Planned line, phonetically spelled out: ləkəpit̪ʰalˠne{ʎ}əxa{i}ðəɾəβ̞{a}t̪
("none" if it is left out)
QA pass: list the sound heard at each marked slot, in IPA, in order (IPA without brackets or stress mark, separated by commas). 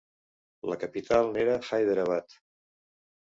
ɾ, j, a